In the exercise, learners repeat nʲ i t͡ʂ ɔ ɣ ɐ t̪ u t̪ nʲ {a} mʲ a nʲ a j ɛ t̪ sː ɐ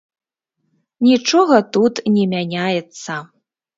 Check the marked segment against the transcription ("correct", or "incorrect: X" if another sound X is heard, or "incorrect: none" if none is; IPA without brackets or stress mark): incorrect: ɛ